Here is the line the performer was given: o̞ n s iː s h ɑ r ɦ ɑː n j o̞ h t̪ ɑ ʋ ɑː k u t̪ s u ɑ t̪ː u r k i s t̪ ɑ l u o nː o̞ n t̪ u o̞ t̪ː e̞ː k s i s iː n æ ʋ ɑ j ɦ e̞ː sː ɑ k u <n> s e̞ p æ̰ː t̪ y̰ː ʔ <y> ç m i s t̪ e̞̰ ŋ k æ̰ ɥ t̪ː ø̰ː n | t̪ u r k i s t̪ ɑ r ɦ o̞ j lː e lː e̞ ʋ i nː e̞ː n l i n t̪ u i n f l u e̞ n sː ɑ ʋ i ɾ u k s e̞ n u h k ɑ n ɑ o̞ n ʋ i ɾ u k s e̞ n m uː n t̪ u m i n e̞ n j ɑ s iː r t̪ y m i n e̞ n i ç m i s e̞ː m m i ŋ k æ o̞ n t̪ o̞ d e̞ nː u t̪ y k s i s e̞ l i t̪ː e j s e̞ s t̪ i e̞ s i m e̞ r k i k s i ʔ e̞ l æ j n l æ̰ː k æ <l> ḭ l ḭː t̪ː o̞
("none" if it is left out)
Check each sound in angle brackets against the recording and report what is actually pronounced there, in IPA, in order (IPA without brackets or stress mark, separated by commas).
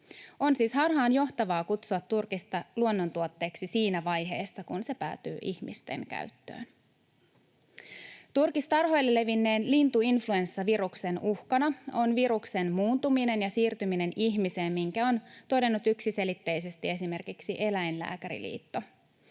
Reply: n, i, ɾ